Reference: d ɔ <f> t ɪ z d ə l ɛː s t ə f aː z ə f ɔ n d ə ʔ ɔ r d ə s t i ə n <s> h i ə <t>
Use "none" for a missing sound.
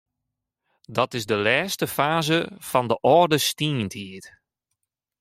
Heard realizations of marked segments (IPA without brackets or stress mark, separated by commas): none, t, t